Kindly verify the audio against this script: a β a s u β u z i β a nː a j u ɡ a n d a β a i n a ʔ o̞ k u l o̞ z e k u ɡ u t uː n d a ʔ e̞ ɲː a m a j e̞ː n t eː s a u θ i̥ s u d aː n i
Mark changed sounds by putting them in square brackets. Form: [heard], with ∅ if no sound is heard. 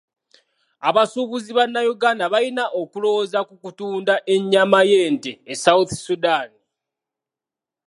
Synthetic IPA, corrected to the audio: a β a s u β u z i β a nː a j u ɡ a n d a β a i n a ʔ o̞ k u l o̞ z [a] k u [k] u t uː n d a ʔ e̞ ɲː a m a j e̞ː n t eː s a u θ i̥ s u d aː n i

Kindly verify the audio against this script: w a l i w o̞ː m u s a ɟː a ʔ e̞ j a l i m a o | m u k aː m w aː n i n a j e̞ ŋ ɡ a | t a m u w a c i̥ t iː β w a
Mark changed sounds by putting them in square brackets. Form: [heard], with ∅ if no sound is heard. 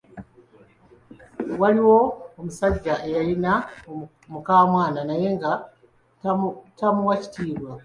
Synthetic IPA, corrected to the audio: w a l i w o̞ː m u s a ɟː a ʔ e̞ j a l i [n] a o | m u k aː m w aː n [a] n a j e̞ ŋ ɡ a | t a m u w a c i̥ t iː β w a

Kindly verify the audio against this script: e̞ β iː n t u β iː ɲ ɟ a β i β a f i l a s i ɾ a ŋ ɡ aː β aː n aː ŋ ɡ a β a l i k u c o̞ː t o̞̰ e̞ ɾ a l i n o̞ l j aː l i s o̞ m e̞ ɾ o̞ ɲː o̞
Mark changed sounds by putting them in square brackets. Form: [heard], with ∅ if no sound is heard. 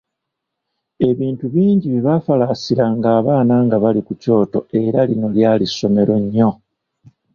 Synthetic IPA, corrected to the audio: e̞ β iː n t u β iː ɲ ɟ [i] β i β a f [a] l a s i ɾ a ŋ ɡ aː β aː n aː ŋ ɡ a β a l i k u c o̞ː t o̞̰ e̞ ɾ a l i n o̞ l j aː l i s o̞ m e̞ ɾ o̞ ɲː o̞

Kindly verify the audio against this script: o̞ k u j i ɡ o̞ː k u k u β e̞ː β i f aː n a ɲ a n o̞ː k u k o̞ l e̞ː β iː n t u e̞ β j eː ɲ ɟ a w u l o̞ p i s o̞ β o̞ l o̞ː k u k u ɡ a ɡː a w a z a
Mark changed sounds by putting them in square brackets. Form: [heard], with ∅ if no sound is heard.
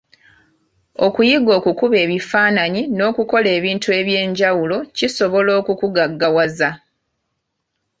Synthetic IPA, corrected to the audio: o̞ k u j i ɡ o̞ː k u k u β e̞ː β i f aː n a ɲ [i] n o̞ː k u k o̞ l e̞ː β iː n t u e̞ β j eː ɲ ɟ a w u l o̞ [c] i s o̞ β o̞ l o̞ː k u k u ɡ a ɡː a w a z a

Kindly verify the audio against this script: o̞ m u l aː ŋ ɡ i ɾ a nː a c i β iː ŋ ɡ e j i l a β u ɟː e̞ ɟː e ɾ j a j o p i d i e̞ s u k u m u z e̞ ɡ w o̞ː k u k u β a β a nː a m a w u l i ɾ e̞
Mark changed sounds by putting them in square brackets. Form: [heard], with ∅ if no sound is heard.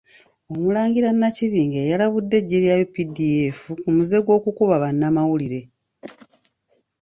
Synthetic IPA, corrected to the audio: o̞ m u l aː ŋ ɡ i ɾ a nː a c i β iː ŋ ɡ e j [a] l a β u [dː] e̞ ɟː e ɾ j a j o p i d i e̞ [f] u k u m u z e̞ ɡ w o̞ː k u k u β a β a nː a m a w u l i ɾ e̞

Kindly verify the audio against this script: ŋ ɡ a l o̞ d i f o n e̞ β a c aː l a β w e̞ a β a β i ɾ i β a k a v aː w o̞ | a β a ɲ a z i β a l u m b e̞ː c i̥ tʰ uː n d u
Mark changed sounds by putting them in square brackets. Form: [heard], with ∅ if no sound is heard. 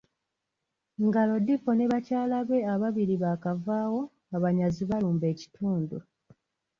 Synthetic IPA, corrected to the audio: ŋ ɡ a l o̞ d i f o n e̞ β a c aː l a β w e̞ a β a β i ɾ i β a k a v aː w o̞ | a β a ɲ a z i β a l [uː] m b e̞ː c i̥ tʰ uː n d u

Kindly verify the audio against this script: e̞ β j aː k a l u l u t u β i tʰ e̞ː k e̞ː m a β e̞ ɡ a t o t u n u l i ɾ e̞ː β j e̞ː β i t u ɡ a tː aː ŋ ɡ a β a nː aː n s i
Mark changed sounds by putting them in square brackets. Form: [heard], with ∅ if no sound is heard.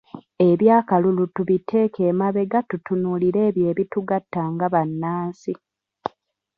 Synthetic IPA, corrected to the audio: e̞ β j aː k a l u l u t u β i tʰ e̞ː k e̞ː m a β e̞ ɡ a t [u] t u n u l i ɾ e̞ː β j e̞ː β i t u ɡ a tː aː ŋ ɡ a β a nː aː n s i

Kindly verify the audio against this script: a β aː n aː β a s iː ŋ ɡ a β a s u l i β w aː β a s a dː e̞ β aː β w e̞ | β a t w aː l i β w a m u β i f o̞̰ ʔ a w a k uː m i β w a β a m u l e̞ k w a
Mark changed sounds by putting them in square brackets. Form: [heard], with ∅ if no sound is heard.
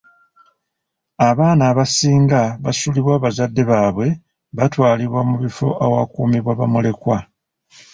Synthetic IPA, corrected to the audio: a β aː n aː β a s iː ŋ ɡ a β a s u l i β w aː β a [z] a dː e̞ β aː β w e̞ | β a t w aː l i β w a m u β i f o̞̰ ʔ a w a k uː m i β w a β a m u l e̞ k w a

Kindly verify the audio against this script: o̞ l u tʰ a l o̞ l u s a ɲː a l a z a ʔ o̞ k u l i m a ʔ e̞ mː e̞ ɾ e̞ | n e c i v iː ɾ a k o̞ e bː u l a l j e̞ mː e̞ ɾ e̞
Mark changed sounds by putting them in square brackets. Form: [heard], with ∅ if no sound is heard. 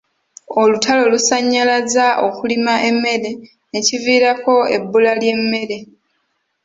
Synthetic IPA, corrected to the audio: o̞ l u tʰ a l o̞ l u s a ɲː a l a z a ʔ o̞ k u l i m a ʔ e̞ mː e̞ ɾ e̞ | n e c i v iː ɾ a k o̞ e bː u l a l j e̞ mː e̞ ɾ e̞

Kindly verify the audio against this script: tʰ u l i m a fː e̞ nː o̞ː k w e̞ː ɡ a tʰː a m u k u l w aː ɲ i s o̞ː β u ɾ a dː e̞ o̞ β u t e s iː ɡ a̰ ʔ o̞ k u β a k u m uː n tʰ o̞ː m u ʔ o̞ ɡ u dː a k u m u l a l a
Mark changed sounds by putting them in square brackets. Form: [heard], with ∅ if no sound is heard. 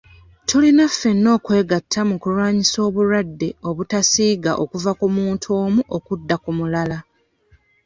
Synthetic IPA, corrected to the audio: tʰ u l i [n] a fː e̞ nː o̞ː k w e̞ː ɡ a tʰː a m u k u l w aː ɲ i s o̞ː β u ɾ a dː e̞ o̞ β u t [a] s iː ɡ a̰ ʔ o̞ k u [v] a k u m uː n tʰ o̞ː m u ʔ o̞ [k] u dː a k u m u l a l a

